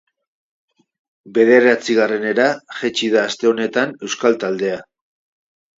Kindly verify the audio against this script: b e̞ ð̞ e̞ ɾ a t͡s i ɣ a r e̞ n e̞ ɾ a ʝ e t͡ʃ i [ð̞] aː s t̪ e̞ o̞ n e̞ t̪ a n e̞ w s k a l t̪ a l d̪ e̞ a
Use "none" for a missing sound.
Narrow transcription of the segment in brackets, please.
ð̞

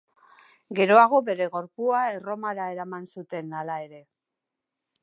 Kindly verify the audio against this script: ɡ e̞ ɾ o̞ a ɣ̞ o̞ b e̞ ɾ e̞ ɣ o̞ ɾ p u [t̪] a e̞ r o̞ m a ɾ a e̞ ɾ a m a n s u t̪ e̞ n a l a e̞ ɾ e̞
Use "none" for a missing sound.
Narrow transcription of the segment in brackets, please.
none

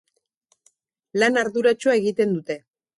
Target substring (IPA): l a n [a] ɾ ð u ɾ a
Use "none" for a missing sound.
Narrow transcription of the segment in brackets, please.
a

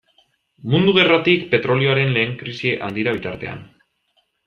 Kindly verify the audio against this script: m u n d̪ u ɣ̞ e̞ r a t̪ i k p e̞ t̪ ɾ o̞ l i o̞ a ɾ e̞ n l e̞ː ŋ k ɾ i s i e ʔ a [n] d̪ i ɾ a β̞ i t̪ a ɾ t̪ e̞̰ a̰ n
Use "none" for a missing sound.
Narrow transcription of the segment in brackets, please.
n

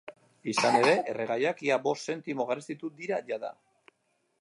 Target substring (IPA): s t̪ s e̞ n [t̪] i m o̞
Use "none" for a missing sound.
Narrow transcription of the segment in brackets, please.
t̪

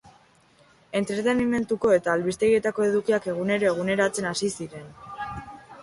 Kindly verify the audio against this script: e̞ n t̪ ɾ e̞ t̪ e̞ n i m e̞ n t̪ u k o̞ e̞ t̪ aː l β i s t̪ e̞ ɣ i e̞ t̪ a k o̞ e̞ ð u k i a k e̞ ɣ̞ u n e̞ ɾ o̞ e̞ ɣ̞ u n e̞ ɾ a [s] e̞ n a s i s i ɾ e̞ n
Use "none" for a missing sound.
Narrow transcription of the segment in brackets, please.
t͡s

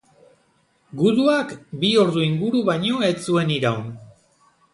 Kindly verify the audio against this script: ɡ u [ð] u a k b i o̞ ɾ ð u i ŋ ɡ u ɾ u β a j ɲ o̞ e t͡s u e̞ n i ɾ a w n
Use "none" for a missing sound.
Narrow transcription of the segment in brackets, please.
ð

